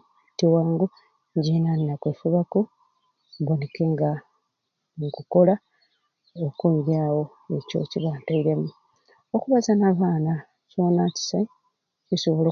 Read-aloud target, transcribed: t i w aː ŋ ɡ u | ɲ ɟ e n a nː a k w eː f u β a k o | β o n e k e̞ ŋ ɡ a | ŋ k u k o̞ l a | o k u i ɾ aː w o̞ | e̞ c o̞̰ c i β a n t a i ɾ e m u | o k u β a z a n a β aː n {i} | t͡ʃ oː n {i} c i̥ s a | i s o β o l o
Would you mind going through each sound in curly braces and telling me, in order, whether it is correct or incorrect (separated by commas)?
incorrect, incorrect